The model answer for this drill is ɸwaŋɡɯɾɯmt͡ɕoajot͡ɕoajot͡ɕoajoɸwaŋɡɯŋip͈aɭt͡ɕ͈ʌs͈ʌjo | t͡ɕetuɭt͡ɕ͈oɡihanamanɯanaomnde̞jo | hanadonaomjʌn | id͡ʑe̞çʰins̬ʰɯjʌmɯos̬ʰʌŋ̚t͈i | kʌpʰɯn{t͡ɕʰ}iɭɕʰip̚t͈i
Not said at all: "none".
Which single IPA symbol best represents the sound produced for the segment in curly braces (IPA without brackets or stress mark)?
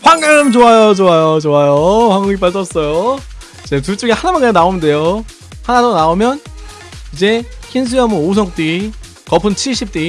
t͡ɕʰ